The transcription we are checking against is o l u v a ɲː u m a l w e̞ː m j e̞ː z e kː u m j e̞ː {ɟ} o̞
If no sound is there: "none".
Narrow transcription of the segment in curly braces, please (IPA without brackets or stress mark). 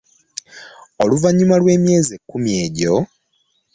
ɟ